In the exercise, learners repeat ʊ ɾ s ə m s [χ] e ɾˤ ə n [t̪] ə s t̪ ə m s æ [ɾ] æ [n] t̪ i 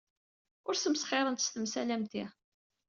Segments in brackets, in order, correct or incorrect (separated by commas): correct, correct, incorrect, incorrect